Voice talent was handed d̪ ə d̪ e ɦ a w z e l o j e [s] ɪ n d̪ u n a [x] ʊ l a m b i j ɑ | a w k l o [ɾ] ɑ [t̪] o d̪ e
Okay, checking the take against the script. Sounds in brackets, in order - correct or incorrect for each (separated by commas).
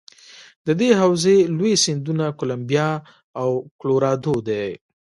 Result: correct, incorrect, correct, incorrect